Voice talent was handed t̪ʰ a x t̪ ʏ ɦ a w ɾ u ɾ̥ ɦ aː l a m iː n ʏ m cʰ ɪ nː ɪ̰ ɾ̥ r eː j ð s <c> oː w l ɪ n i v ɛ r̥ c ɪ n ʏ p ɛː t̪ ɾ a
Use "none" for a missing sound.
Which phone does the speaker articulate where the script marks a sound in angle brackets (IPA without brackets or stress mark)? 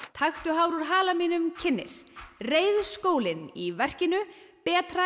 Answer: k